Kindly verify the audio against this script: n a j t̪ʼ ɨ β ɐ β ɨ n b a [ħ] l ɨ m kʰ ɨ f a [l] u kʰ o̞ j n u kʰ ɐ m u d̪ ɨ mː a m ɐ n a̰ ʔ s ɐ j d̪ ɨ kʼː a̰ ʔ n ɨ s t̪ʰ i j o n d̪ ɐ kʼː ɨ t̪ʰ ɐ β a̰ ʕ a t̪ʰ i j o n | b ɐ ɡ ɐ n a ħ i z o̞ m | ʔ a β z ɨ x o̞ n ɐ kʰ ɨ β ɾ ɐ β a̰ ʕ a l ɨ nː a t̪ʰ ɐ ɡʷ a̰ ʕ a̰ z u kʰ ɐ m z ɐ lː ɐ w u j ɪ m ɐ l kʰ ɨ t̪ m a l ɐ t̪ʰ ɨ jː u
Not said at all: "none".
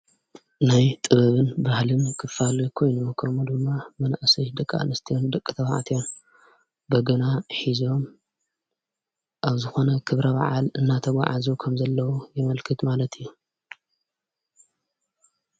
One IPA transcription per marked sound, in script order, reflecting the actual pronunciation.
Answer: h, l

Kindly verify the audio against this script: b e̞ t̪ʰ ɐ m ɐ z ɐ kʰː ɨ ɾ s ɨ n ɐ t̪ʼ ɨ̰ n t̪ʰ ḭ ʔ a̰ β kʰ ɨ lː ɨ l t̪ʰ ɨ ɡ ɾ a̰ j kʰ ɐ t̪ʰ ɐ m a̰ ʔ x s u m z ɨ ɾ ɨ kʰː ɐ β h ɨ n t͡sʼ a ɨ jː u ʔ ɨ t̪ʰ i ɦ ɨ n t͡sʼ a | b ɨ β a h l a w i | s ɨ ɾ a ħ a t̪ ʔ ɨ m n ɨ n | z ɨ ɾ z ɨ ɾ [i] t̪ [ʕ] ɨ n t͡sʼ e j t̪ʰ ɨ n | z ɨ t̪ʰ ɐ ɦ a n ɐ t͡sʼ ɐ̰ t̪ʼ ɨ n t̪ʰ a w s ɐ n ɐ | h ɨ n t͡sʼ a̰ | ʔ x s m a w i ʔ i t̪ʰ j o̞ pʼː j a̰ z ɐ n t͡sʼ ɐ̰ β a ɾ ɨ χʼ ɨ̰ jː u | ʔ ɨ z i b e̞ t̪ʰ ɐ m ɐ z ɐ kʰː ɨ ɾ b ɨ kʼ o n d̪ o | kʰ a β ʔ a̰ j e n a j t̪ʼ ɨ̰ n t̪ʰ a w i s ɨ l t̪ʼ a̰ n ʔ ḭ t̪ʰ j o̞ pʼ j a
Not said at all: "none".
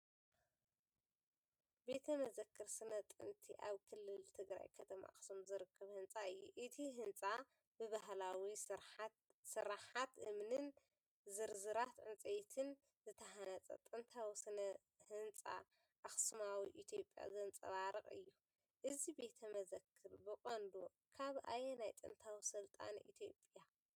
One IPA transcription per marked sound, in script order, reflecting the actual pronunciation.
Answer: a, ʕ

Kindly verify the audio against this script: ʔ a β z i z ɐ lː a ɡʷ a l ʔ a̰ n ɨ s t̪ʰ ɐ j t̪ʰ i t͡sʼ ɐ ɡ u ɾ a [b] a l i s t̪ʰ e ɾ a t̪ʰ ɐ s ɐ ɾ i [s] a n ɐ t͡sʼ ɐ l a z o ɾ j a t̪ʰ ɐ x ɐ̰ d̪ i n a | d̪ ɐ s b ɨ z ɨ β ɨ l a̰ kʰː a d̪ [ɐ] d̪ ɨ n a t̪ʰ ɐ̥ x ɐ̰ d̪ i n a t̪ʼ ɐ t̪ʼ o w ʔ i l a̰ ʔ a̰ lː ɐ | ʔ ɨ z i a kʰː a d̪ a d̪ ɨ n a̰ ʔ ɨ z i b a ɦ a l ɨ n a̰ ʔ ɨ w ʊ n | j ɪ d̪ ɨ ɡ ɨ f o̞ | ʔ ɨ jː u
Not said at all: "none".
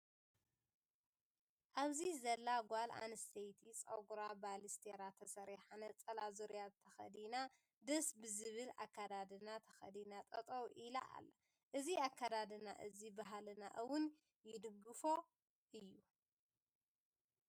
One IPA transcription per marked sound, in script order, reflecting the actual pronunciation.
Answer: b, ħ, a

